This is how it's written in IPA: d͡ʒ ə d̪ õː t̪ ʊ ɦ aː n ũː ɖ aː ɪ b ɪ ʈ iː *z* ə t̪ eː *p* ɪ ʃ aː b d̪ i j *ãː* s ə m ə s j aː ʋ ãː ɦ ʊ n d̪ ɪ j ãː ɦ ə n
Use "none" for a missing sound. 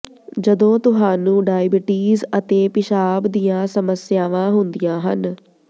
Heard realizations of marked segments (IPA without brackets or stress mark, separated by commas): z, p, ãː